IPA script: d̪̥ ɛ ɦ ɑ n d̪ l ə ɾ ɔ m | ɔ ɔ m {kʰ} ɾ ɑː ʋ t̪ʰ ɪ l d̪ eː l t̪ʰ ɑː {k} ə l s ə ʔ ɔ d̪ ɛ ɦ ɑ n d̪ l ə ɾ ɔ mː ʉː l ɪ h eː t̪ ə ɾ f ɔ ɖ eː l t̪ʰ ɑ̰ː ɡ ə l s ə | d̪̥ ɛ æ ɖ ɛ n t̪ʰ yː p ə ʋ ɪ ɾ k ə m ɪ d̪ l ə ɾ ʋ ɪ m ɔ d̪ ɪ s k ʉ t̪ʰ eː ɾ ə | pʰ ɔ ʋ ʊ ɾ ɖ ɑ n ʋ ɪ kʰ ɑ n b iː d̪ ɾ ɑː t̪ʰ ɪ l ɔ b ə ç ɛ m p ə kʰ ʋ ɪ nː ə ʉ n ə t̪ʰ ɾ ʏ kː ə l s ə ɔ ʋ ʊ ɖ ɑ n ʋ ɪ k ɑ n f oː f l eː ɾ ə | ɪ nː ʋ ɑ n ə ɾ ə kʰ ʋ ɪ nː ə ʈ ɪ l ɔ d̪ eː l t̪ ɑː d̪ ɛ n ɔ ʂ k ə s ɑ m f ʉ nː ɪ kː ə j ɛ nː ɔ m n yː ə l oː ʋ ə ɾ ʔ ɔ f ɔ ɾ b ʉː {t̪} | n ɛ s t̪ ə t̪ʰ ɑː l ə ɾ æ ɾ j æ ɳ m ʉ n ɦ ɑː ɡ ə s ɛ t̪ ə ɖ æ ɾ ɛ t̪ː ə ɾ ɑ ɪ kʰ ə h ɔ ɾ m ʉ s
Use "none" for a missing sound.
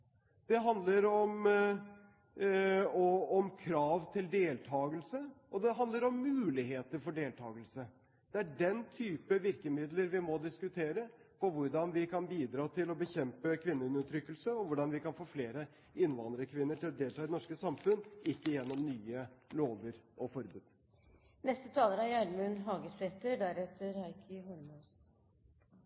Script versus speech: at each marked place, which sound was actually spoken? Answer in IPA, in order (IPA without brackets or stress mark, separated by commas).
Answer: kʰ, ɡ, d̪